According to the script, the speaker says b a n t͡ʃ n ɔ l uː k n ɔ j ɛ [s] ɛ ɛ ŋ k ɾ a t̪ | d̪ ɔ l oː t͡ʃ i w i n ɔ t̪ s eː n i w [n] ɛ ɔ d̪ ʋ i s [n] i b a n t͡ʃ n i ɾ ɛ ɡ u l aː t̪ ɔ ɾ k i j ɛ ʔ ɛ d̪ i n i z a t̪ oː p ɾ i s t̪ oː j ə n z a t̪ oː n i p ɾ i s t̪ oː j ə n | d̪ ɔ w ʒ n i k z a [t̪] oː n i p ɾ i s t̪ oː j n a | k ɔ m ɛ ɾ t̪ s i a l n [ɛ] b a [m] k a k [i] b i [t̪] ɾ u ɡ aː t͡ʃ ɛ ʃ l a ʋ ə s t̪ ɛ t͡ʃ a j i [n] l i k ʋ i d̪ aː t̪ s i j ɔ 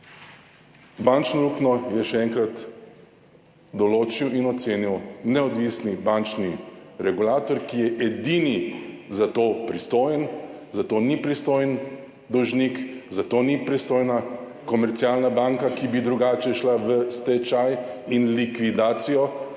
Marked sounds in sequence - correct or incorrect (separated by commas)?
incorrect, correct, correct, correct, incorrect, incorrect, correct, incorrect, correct